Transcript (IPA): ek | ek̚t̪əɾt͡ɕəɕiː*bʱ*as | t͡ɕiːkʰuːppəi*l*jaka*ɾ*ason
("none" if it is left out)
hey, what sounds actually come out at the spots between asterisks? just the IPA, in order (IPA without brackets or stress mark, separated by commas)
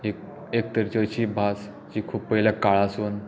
bʱ, l, ɭ